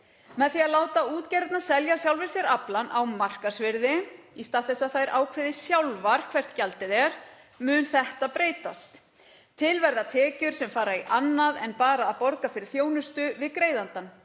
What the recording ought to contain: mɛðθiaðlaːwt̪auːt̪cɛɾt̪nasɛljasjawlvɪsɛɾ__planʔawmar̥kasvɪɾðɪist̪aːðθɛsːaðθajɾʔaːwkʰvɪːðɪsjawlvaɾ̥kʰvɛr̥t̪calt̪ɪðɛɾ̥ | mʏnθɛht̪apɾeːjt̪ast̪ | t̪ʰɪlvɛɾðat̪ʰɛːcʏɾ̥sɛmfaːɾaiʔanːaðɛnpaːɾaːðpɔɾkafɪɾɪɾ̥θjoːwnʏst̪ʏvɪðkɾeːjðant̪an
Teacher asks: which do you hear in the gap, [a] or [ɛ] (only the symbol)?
a